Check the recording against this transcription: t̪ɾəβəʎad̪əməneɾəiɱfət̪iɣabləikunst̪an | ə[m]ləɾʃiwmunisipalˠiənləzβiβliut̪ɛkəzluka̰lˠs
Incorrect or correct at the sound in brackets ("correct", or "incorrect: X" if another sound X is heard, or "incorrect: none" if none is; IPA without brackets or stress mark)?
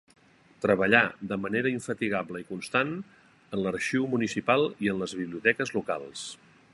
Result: incorrect: n